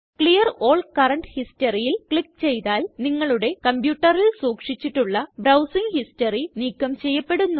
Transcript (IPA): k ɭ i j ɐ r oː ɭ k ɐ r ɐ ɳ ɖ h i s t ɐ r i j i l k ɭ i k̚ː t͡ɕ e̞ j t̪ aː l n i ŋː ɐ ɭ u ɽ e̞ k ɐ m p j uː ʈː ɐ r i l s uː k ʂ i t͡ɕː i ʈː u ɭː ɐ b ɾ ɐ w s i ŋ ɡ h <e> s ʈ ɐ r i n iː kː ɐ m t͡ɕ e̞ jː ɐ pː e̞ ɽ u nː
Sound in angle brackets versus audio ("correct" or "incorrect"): incorrect